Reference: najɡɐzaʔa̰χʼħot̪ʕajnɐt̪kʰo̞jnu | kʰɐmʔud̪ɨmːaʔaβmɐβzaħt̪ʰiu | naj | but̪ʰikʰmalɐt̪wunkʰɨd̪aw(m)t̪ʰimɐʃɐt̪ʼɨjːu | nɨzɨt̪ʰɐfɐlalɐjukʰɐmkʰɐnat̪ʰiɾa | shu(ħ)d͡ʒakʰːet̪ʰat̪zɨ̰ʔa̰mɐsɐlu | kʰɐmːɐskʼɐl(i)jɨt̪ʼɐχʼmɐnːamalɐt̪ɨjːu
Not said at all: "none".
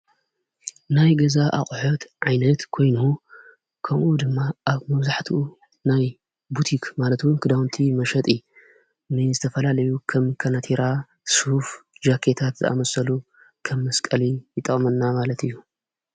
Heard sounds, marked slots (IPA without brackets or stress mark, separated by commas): n, f, i